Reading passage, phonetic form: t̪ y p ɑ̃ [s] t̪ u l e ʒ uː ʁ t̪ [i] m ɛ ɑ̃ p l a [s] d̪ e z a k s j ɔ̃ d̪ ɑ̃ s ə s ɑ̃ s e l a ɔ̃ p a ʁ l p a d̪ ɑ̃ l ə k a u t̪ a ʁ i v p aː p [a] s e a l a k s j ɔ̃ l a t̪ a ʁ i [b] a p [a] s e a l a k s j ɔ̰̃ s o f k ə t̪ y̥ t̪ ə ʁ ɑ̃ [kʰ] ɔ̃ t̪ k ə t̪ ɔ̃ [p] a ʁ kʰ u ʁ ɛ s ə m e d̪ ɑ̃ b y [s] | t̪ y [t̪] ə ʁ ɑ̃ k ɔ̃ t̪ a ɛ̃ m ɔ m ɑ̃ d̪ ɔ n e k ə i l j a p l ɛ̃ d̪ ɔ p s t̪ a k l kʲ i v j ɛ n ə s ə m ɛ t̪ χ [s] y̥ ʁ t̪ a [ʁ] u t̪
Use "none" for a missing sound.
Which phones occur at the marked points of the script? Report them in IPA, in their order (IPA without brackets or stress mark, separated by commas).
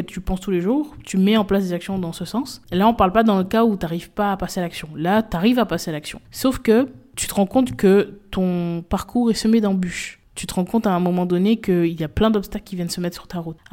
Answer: s, y, s, a, v, a, k, p, ʃ, t̪, s, ʁ